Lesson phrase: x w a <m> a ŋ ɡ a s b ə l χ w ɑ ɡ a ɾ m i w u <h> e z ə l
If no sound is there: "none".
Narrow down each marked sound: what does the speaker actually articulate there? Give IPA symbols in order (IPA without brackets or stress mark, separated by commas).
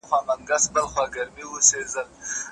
m, s